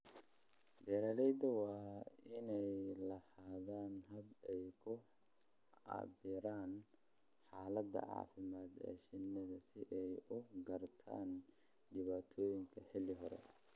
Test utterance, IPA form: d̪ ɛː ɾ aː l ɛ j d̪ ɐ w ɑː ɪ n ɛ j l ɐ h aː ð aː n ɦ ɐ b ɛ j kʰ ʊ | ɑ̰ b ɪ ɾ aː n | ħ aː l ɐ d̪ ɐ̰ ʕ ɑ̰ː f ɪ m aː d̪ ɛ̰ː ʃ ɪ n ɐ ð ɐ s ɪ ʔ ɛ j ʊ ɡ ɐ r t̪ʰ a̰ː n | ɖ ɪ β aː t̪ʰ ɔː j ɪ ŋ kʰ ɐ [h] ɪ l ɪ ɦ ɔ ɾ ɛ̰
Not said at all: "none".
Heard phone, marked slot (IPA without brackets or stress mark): ħ